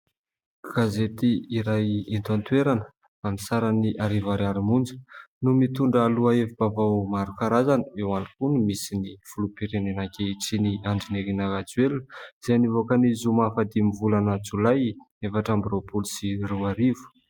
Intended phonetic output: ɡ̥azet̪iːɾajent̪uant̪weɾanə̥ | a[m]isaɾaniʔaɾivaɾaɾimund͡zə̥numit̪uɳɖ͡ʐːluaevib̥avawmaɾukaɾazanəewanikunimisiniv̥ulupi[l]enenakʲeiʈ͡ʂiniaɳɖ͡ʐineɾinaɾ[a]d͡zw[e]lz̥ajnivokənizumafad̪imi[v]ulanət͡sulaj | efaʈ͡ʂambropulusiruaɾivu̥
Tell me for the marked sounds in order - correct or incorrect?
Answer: correct, incorrect, correct, correct, correct

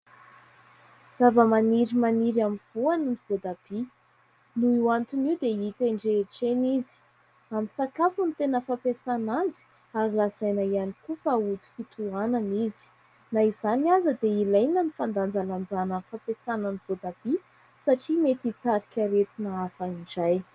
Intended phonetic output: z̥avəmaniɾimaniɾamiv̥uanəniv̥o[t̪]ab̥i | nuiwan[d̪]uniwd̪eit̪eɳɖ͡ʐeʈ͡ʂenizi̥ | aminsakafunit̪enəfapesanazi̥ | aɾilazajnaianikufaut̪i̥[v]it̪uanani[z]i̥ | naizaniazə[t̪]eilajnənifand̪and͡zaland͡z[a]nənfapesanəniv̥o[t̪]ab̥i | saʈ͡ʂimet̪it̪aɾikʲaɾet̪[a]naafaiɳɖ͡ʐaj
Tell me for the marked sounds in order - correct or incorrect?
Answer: incorrect, incorrect, incorrect, correct, incorrect, correct, incorrect, incorrect

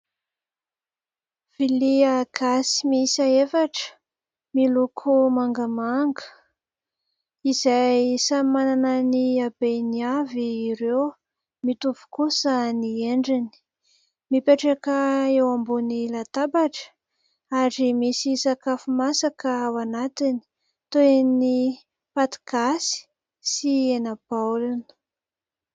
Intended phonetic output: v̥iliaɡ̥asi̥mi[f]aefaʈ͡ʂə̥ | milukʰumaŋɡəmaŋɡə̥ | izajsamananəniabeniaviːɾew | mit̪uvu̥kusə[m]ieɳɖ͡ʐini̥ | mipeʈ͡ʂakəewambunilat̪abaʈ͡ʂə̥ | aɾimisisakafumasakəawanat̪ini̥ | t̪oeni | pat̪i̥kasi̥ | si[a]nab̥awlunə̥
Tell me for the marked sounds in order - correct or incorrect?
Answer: incorrect, incorrect, incorrect

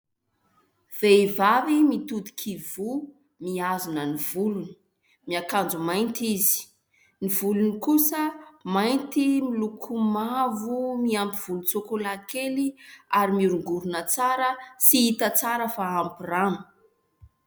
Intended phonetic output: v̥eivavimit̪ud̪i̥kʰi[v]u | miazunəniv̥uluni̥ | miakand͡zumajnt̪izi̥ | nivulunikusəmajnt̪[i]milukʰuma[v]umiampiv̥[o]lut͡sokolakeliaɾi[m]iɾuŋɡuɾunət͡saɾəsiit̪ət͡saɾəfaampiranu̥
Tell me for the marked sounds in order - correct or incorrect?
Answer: correct, correct, correct, incorrect, correct

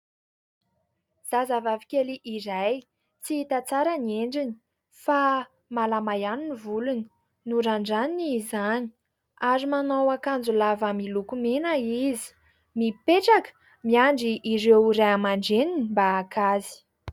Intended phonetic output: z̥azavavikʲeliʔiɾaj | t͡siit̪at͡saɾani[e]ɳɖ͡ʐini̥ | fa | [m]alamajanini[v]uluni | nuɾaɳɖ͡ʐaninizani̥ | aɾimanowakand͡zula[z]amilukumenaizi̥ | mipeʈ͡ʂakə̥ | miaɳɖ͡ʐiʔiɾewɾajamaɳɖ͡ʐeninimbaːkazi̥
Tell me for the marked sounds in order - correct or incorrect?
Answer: correct, correct, correct, incorrect

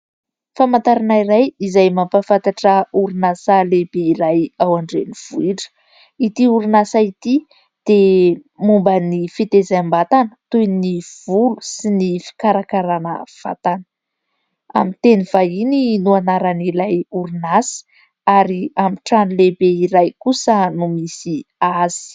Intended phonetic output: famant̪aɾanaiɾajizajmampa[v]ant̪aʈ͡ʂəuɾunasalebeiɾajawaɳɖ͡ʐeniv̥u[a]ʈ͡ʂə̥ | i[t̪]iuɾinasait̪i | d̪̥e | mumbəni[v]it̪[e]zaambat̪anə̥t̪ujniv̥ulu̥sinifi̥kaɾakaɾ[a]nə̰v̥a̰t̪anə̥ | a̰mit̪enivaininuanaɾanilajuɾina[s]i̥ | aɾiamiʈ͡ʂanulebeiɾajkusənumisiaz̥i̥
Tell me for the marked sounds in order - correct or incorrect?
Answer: incorrect, incorrect, correct, incorrect, correct, correct, correct

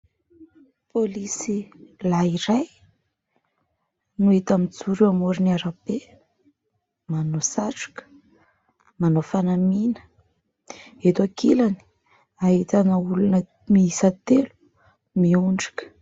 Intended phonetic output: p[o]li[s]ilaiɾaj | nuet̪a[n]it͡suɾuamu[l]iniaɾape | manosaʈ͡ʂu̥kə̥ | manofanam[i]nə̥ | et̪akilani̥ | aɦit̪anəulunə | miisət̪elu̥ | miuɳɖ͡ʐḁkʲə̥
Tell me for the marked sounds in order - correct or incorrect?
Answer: correct, correct, incorrect, incorrect, correct

